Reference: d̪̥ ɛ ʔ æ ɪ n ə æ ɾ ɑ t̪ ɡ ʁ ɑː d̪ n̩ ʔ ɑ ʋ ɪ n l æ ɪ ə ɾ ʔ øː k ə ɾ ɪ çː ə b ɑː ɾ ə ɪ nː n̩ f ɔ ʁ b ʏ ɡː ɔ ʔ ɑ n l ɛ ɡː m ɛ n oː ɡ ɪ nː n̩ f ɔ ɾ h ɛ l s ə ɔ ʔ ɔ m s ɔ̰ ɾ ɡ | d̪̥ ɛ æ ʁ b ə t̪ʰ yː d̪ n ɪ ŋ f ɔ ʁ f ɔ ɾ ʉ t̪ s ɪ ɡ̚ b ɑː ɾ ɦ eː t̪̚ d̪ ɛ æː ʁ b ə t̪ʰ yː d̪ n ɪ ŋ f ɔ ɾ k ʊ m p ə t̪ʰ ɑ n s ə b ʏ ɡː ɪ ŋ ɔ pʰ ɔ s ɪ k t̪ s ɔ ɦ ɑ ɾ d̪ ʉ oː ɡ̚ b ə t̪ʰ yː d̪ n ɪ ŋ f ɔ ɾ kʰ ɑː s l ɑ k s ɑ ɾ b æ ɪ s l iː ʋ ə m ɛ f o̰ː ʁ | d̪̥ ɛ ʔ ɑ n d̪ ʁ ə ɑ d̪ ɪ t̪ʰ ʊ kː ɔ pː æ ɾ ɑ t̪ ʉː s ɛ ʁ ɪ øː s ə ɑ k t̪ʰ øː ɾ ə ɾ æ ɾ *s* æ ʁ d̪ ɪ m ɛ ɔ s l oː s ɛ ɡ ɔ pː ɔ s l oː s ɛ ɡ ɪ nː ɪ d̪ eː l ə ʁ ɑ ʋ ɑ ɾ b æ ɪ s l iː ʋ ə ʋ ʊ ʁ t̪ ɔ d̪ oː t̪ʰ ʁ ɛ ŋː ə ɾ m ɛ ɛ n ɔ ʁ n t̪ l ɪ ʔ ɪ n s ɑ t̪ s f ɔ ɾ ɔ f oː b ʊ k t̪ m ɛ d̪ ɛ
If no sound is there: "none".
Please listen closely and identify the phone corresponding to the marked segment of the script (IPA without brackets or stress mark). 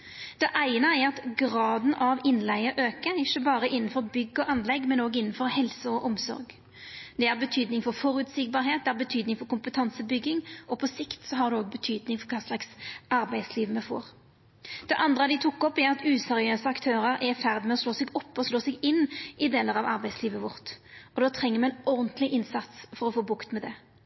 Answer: f